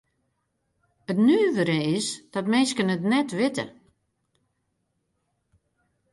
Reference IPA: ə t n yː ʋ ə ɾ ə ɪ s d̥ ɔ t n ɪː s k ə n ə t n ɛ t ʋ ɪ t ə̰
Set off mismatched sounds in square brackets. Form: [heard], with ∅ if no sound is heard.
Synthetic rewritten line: ə t n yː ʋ ə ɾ ə ɪ s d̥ ɔ t [m] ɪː s k ə n ə t n ɛ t ʋ ɪ t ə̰